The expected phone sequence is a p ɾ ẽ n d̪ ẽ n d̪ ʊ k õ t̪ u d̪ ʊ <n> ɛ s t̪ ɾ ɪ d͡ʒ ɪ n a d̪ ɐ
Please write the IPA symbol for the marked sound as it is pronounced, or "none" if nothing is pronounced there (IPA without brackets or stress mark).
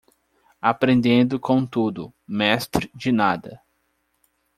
m